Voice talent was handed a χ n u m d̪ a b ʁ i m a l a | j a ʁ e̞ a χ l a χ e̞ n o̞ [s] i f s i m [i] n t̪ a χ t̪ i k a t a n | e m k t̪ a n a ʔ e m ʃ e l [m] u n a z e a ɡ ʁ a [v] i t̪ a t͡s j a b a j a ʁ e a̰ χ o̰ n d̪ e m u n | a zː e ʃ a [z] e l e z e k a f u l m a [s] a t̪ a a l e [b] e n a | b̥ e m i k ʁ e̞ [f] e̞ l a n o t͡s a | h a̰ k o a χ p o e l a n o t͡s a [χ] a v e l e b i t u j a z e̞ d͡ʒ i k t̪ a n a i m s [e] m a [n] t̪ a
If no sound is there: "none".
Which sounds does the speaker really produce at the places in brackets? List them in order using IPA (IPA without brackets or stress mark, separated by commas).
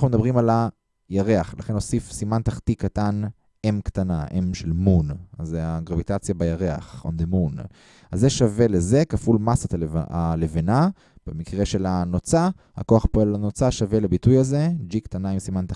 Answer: s, a, m, v, v, s, v, ʃ, ʃ, i, n